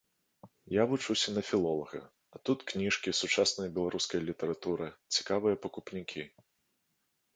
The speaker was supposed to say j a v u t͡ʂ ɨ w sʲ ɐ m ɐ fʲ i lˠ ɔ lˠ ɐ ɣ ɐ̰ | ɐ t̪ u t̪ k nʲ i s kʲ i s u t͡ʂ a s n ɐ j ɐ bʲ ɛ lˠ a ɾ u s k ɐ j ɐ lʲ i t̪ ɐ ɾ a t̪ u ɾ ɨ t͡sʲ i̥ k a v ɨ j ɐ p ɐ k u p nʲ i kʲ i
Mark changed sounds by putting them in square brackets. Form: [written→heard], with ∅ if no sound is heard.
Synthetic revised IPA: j a v u t͡ʂ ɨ w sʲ ɐ [m→n] ɐ fʲ i lˠ ɔ lˠ ɐ ɣ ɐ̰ | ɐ t̪ u t̪ k nʲ i [s→ʂ] kʲ i s u t͡ʂ a s n ɐ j ɐ bʲ ɛ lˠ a ɾ u s k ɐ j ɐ lʲ i t̪ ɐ ɾ a t̪ u ɾ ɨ t͡sʲ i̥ k a v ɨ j ɐ p ɐ k u p nʲ i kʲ i